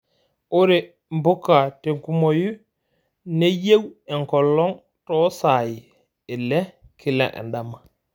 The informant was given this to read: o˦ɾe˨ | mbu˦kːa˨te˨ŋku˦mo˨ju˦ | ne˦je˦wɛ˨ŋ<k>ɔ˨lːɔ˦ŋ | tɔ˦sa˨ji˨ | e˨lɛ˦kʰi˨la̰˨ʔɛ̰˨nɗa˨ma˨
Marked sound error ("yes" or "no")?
no